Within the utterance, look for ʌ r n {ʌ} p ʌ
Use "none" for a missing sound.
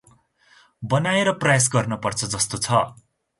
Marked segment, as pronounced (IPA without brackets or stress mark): ʌ